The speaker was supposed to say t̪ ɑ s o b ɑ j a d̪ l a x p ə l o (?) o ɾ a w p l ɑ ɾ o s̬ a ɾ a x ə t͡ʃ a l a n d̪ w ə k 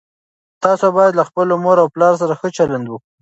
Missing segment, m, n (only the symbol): m